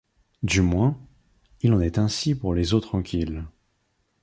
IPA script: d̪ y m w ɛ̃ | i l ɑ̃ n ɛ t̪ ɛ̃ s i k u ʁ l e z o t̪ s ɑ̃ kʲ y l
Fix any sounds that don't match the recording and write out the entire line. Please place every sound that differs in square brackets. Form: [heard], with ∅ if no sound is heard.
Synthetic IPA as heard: d̪ y m w ɛ̃ | i l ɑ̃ n ɛ t̪ ɛ̃ s i [p] u ʁ l e z o t̪ [χ] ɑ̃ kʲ [i] l